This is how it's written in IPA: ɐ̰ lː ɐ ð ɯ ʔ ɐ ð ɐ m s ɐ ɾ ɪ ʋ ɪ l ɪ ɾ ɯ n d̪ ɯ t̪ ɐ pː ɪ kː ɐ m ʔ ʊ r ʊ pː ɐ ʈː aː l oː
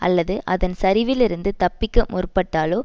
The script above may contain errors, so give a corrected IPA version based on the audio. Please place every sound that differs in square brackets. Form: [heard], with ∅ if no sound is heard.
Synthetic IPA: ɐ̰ lː ɐ ð ɯ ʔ ɐ ð ɐ [n] s ɐ ɾ ɪ ʋ ɪ l ɪ ɾ ɯ n d̪ ɯ t̪ ɐ pː ɪ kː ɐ m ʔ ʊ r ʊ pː ɐ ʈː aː l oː